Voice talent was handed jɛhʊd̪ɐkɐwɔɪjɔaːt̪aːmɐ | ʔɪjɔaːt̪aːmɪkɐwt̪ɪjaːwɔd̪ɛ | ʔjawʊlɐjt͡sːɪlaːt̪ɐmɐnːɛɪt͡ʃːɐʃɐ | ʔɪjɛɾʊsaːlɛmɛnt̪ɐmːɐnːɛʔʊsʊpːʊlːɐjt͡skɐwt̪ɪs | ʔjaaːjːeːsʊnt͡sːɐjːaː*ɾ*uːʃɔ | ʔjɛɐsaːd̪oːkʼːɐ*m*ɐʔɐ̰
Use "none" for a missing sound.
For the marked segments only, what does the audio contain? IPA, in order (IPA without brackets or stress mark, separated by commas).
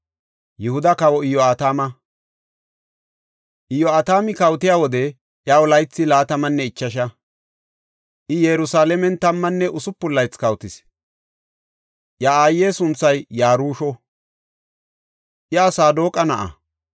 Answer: ɾ, n